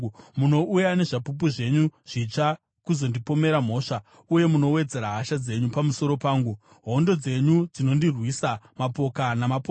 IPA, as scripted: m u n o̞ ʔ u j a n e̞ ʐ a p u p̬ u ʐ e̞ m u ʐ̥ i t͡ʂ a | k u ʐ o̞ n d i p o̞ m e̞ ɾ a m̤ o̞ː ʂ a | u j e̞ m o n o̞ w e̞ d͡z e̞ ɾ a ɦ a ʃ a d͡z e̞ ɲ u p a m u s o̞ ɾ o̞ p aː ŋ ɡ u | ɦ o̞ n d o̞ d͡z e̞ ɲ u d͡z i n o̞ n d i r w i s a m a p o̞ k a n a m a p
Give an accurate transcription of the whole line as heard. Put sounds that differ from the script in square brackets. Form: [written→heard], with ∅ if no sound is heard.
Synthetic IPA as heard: m u n o̞ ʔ u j a n e̞ ʐ a p u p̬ u ʐ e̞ [m→ɲ] u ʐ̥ i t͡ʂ a | k u [ʐ→z] o̞ n d i p o̞ m e̞ ɾ a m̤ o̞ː ʂ a | u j e̞ m [o→u] n o̞ w e̞ d͡z e̞ ɾ a ɦ a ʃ a d͡z e̞ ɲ u p a m u s o̞ ɾ o̞ p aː ŋ ɡ u | ɦ o̞ n d o̞ d͡z e̞ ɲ u d͡z i n o̞ n d i r w i s a m a p o̞ k a n a m a p